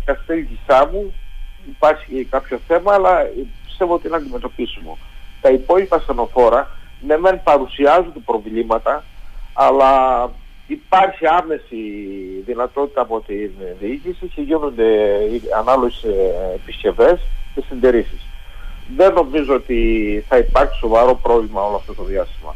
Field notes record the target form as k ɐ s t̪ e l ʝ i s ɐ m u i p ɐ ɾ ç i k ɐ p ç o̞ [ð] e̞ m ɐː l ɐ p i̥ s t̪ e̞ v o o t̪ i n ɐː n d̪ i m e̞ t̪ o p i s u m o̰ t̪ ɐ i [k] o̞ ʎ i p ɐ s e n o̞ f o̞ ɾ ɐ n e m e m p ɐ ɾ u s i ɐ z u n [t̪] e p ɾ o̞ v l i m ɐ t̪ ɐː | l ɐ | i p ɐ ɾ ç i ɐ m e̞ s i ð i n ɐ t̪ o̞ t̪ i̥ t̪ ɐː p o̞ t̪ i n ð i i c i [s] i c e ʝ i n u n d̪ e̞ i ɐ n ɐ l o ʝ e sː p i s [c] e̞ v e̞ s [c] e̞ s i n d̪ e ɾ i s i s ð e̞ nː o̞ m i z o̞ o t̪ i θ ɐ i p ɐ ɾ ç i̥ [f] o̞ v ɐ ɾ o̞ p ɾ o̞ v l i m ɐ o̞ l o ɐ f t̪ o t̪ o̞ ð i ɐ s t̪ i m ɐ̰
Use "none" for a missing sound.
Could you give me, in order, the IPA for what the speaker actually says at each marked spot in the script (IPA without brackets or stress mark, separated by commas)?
θ, p, d̪, s, c, c, s